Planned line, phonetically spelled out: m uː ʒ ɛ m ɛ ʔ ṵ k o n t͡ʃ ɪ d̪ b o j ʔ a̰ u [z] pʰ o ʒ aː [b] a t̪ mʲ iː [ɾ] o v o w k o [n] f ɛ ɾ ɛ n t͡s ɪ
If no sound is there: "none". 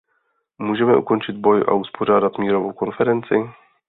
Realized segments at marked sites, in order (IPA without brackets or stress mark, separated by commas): s, d, ɾ, n